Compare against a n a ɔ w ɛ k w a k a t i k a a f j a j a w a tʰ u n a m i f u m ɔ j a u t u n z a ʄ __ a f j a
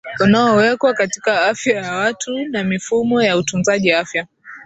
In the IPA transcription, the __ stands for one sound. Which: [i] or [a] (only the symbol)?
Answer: i